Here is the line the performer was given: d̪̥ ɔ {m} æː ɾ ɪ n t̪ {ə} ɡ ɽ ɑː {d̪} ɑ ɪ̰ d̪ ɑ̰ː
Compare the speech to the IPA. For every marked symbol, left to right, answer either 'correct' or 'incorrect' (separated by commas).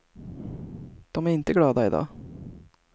correct, correct, correct